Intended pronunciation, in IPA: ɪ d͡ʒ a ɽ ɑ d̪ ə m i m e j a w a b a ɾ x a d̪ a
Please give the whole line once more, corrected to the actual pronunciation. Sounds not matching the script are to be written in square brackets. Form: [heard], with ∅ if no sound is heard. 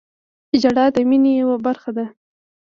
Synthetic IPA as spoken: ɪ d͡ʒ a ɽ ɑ d̪ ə m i [n] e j a w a b a ɾ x a d̪ a